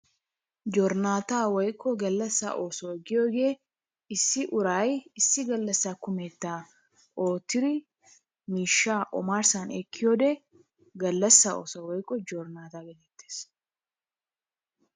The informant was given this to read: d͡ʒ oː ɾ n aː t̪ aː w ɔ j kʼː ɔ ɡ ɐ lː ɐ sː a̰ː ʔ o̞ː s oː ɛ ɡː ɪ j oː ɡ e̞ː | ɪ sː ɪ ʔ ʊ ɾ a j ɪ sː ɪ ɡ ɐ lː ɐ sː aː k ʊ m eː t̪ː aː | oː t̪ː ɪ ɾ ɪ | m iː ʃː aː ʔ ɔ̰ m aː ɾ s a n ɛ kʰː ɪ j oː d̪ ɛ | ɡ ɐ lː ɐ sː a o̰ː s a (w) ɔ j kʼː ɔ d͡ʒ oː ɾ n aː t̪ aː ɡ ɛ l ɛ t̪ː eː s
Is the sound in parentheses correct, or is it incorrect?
correct